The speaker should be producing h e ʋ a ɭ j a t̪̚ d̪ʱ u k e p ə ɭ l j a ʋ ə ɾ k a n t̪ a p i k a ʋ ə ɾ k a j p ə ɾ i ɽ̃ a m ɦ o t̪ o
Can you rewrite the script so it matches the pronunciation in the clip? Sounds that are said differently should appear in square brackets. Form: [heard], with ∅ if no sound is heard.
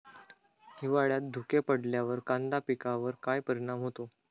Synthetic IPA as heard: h [i] ʋ a ɭ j a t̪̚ d̪ʱ u k e p ə [ɽ] l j a ʋ ə ɾ k a n [d̪] a p i k a ʋ ə ɾ k a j p ə ɾ i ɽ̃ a m ɦ o t̪ o